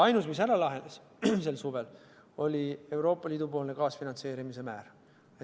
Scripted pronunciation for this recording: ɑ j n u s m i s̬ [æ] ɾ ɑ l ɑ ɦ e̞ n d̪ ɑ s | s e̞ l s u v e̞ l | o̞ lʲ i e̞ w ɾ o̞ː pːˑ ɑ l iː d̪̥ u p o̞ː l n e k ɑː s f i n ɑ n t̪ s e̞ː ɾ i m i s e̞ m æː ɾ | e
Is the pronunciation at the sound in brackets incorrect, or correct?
correct